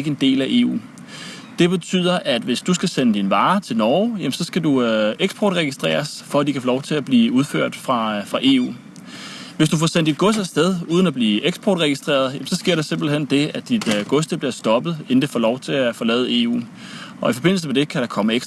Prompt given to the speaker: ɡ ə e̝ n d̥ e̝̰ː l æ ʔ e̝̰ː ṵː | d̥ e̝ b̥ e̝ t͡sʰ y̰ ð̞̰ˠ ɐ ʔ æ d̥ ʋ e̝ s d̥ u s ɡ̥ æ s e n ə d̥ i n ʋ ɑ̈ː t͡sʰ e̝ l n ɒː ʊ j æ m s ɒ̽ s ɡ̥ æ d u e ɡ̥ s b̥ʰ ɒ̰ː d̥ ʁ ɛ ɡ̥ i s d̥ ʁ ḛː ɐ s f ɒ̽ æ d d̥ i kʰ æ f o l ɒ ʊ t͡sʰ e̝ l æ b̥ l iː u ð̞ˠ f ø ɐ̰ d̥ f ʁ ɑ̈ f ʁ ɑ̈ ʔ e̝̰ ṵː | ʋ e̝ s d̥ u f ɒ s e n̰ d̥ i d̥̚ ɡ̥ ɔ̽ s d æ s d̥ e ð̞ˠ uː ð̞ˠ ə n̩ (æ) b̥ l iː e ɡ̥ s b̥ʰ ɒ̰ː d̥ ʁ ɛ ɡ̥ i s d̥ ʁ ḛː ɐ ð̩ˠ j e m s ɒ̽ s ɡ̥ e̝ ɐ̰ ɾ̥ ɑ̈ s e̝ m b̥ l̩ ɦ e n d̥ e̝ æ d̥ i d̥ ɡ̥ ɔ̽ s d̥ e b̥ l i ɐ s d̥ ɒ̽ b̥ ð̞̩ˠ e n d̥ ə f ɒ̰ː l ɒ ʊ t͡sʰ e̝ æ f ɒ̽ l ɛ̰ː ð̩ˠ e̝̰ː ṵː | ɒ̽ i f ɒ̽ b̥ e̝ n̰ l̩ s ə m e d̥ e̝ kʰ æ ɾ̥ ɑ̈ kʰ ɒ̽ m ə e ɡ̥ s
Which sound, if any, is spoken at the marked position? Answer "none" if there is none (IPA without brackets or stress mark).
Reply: æ